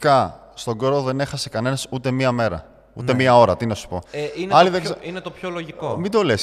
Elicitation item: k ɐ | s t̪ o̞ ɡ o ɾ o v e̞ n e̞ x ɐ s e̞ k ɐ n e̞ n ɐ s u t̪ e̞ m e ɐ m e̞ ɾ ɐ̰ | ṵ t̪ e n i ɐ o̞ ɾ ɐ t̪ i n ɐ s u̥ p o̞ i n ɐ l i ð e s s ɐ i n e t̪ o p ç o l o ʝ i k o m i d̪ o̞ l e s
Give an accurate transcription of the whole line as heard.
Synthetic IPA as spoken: k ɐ | s t̪ o̞ ɡ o ɾ o ð e̞ n e̞ x ɐ s e̞ k ɐ n e̞ n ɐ s u t̪ e̞ m i ɐ m e̞ ɾ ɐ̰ | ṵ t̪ e m i ɐ o̞ ɾ ɐ t̪ i n ɐ s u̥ p o̞ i n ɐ l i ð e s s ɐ i n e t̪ o p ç o l o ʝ i k o m i d̪ o̞ l e s